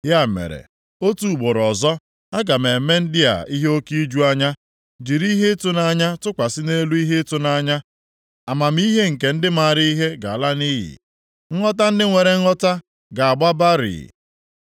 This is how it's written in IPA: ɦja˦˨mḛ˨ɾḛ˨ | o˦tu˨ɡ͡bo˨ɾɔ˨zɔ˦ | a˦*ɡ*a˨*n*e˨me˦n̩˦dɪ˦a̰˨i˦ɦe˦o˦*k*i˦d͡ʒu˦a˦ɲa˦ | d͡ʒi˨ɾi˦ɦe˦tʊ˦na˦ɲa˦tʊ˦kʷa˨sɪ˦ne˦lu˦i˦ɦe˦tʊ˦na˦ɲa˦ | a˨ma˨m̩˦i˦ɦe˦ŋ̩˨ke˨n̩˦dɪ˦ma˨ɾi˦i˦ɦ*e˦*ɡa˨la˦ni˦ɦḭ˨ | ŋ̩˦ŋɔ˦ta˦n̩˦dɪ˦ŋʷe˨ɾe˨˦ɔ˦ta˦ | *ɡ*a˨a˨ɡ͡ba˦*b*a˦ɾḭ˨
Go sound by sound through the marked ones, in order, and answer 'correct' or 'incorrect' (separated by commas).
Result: correct, incorrect, correct, correct, correct, correct